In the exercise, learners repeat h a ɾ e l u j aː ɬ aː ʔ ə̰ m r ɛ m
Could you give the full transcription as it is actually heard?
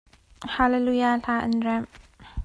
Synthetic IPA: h a l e l u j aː ɬ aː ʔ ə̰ n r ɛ m